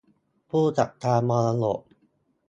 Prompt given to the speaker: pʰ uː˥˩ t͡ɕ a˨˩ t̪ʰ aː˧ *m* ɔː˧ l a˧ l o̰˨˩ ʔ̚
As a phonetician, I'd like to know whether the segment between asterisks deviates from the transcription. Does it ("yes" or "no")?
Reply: no